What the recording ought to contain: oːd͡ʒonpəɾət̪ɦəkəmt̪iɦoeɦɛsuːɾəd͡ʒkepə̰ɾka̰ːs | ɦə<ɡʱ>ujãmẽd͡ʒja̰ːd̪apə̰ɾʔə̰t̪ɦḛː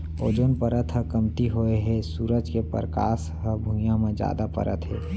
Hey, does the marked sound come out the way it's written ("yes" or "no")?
no